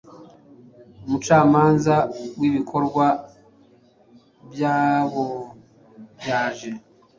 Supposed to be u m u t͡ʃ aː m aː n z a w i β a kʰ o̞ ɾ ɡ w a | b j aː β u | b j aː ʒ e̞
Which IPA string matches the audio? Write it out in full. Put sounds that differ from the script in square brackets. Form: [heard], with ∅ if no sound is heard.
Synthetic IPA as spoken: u m u t͡ʃ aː m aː n z a w i β [i] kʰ o̞ ɾ ɡ w a | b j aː β [o] | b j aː ʒ e̞